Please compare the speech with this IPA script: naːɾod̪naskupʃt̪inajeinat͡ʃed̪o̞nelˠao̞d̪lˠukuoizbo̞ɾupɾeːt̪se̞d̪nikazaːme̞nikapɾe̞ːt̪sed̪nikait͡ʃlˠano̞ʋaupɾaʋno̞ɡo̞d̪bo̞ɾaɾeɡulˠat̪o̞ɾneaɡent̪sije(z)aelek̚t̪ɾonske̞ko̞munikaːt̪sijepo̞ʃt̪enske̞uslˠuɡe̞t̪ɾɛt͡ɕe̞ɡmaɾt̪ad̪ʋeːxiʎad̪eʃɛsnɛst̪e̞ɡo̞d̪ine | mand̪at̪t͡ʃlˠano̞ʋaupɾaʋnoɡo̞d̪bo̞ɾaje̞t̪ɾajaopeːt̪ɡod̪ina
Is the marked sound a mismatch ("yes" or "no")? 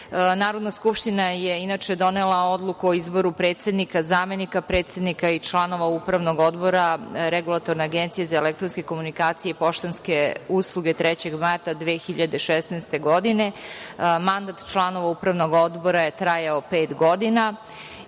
no